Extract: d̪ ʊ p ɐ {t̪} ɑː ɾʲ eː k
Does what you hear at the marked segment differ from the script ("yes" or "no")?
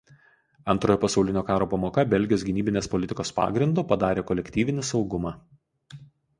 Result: yes